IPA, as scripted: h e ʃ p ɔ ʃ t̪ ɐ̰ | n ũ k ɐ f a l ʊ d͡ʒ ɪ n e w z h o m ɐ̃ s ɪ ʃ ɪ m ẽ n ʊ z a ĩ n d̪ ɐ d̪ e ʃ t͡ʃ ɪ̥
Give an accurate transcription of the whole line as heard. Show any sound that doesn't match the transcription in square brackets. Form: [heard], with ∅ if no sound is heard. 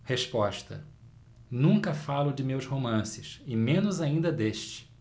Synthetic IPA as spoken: h e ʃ p ɔ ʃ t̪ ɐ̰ | n ũ k ɐ f a l ʊ d͡ʒ ɪ [m] e w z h o m ɐ̃ s ɪ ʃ ɪ m ẽ n ʊ z a ĩ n d̪ ɐ d̪ e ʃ t͡ʃ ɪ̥